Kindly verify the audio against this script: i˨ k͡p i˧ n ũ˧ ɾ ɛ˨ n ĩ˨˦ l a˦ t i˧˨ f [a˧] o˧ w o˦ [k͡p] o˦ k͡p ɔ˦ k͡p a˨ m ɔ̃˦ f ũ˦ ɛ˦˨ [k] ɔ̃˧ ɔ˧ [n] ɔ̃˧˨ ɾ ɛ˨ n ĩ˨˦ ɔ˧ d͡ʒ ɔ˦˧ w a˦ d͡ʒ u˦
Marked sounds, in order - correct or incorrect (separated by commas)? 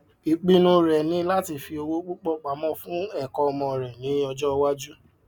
incorrect, correct, correct, incorrect